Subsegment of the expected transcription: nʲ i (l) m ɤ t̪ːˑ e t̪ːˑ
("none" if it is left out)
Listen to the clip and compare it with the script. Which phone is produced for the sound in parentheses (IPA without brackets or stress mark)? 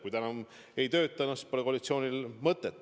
l